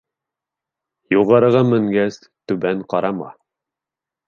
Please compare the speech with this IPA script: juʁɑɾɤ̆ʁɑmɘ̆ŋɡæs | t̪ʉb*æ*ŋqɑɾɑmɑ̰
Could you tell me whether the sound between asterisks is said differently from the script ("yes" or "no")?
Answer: no